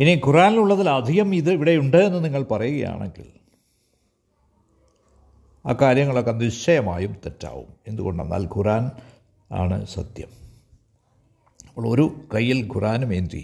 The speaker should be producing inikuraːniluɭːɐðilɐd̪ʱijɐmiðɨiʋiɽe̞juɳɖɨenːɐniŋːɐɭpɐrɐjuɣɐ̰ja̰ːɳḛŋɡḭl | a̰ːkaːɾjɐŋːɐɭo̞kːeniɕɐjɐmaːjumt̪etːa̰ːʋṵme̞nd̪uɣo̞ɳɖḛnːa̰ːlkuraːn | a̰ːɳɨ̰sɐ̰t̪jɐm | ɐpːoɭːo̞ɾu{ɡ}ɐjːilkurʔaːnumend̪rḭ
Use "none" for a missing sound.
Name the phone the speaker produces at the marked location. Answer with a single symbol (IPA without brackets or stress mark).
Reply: k